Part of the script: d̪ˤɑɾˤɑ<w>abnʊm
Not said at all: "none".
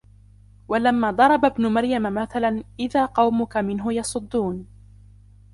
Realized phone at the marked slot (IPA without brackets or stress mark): b